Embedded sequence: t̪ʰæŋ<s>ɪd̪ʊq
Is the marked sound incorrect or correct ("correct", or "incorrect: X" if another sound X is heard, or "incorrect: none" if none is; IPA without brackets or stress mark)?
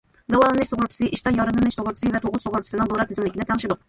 incorrect: ʃ